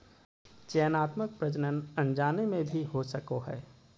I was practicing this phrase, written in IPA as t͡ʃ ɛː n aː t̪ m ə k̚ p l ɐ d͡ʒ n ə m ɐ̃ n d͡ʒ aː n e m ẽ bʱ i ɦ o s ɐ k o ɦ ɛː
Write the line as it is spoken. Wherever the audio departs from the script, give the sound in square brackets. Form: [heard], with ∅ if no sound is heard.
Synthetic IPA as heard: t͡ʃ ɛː n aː t̪ m ə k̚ p [ɾ] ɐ d͡ʒ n ə [n] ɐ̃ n d͡ʒ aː n e m ẽ bʱ i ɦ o s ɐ k o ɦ ɛː

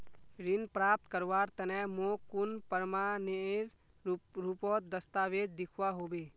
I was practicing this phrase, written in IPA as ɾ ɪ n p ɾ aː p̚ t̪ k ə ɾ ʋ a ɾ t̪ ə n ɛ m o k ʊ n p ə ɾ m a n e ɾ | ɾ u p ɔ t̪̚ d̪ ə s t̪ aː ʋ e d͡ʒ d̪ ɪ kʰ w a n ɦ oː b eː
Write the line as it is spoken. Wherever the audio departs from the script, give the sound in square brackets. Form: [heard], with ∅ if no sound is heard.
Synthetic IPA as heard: ɾ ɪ n p ɾ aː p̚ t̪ k ə ɾ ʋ a ɾ t̪ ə n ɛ m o k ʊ n p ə ɾ m a n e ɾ | ɾ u p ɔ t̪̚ d̪ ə s t̪ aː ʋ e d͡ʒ d̪ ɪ kʰ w a [∅] ɦ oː b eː

